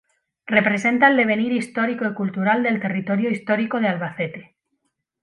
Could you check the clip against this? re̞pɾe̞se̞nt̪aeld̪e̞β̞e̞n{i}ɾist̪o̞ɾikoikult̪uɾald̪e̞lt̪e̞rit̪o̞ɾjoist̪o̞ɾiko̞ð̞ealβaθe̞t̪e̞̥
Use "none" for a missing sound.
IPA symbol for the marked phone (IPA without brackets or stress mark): i